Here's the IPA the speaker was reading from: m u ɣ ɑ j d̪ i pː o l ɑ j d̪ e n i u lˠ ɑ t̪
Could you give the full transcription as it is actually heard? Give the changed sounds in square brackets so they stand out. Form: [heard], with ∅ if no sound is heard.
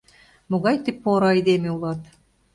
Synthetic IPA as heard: m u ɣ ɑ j [t̪] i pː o [ɾ] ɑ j d̪ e [m] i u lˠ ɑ t̪

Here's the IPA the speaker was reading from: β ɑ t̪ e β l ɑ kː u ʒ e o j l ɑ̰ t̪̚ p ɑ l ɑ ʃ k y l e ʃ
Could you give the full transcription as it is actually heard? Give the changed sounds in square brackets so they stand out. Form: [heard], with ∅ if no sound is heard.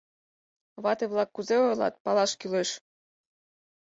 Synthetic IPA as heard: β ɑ t̪ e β l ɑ kː u [z] e o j l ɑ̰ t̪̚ p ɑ l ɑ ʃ k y l e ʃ

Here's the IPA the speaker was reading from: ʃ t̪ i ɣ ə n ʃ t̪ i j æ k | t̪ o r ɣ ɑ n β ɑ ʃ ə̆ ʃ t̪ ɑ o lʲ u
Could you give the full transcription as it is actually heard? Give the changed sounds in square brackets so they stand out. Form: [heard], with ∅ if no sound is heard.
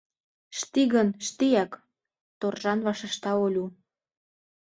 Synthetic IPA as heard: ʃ t̪ i ɣ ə n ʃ t̪ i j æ k | t̪ o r [ʒ] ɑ n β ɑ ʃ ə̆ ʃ t̪ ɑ o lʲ u

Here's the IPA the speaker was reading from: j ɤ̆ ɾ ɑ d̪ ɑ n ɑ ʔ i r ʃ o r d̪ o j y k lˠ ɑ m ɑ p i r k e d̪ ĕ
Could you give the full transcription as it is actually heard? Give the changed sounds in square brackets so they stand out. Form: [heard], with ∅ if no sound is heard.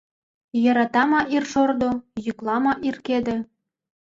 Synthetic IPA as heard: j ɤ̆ ɾ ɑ [t̪] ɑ [m] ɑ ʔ i r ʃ o r d̪ o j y k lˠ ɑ m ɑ [ʔ] i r k e d̪ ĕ

